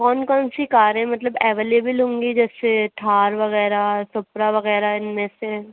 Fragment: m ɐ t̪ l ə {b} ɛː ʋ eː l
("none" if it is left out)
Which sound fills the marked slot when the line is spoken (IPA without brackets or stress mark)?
b